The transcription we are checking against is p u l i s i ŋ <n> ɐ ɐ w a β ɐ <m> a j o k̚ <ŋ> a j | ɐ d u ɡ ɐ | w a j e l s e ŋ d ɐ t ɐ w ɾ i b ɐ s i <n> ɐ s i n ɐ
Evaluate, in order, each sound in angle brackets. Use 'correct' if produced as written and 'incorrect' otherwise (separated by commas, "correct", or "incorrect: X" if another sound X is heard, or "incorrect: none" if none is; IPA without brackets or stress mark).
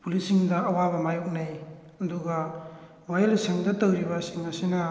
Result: incorrect: d, correct, incorrect: n, incorrect: ŋ